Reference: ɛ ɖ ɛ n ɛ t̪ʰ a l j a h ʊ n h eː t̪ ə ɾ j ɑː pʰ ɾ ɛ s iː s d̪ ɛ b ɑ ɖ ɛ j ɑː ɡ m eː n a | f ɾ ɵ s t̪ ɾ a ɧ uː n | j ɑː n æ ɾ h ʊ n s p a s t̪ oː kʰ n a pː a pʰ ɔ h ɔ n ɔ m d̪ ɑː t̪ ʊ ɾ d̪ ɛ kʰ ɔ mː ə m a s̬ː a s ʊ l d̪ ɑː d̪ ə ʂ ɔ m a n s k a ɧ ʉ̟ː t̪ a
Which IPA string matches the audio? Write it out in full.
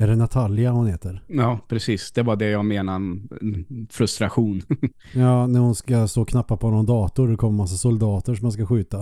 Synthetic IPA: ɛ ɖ ɛ n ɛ t̪ʰ a l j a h ʊ n h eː t̪ ə ɾ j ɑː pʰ ɾ ɛ s iː s d̪ ɛ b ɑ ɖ ɛ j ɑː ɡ m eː n a | f ɾ ɵ s t̪ ɾ a ɧ uː n | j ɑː n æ ɾ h ʊ n s k a s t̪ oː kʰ n a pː a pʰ ɔ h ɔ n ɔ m d̪ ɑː t̪ ʊ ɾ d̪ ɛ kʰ ɔ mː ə m a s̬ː a s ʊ l d̪ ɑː t̪ ə ʂ ɔ m a n s k a ɧ ʉ̟ː t̪ a